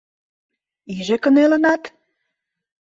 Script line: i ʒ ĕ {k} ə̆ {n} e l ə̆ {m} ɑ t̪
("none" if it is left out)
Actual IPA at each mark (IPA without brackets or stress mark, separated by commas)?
k, n, n